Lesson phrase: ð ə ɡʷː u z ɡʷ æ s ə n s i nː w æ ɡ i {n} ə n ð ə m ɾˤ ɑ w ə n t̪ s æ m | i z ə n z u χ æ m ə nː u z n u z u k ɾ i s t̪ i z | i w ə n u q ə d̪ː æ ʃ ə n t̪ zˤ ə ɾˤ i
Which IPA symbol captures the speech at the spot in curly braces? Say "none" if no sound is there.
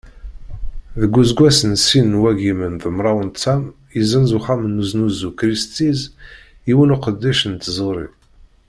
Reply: m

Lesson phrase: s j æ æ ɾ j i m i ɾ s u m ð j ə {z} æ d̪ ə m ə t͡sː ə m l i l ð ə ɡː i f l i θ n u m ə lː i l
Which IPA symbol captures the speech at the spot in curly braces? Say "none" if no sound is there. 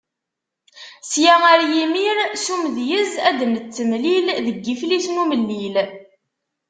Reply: z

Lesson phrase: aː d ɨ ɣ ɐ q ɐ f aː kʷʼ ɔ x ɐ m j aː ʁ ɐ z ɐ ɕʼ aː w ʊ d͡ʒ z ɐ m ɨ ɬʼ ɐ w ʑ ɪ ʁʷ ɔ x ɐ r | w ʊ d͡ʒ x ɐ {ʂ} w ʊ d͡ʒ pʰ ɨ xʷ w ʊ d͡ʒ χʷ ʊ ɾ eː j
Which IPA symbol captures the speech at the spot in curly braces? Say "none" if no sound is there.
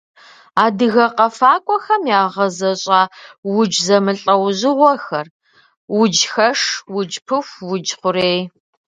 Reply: ʂ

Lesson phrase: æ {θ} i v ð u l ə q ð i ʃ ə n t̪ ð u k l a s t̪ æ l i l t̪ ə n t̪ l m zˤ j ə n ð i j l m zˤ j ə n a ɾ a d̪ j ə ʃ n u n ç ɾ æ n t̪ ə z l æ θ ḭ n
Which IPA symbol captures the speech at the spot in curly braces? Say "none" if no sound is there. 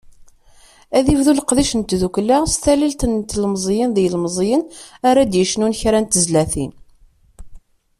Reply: ð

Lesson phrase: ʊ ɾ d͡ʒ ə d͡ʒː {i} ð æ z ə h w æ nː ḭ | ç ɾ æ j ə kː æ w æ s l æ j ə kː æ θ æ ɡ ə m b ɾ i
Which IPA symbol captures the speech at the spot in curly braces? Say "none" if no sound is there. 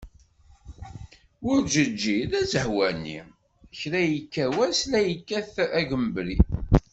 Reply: i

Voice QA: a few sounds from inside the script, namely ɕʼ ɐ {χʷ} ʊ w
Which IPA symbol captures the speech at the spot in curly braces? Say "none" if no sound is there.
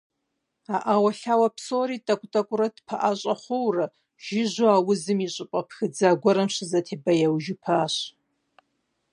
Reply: χʷ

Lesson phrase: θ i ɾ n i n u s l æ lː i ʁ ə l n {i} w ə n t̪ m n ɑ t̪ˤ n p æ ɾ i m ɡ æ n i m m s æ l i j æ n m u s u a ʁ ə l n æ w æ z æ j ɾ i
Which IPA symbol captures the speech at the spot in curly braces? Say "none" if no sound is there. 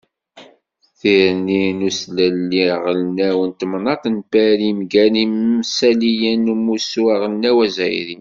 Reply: æ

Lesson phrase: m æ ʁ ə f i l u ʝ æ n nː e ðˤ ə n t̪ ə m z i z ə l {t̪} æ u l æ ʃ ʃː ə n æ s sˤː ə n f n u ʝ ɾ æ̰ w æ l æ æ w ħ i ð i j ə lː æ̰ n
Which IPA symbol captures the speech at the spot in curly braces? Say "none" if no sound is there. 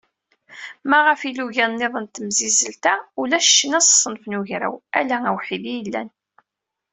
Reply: t̪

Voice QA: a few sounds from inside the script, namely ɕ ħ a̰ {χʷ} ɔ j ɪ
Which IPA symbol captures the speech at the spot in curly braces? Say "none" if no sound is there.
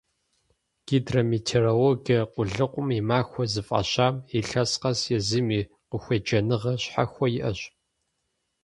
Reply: xʷ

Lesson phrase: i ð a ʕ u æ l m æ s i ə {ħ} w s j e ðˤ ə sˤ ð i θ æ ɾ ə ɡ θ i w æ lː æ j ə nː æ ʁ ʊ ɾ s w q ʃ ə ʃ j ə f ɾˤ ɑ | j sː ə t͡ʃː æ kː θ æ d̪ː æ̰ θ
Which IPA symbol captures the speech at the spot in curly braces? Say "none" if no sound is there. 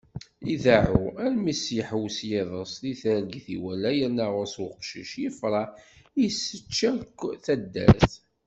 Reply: ħ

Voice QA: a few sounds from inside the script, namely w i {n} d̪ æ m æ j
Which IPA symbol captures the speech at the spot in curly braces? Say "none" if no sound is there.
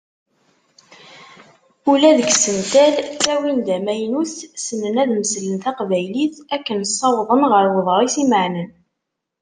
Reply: n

